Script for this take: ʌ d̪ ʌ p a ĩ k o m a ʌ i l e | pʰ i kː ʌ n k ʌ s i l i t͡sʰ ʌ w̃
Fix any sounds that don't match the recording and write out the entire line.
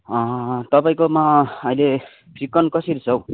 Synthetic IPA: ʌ t̪ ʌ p a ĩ k o m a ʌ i l e | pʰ i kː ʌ n k ʌ s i ɾ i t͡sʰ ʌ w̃